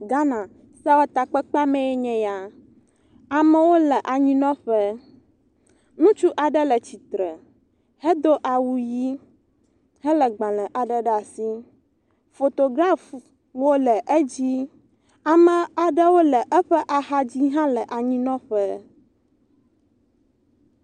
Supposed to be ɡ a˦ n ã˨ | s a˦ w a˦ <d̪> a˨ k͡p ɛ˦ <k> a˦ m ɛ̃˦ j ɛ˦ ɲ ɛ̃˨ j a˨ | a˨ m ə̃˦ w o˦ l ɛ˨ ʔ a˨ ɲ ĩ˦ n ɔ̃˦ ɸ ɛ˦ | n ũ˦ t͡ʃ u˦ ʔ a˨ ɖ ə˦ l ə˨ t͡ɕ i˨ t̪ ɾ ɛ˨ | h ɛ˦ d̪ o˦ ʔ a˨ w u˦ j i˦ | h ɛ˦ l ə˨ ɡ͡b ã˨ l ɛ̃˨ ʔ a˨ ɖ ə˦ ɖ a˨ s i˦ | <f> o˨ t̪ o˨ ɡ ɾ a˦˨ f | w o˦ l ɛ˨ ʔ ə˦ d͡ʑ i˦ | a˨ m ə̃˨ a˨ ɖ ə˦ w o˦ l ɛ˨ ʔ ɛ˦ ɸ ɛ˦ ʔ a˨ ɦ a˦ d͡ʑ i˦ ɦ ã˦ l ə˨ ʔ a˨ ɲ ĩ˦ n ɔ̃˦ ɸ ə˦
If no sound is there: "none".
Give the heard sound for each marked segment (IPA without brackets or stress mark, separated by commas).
t̪, k͡p, f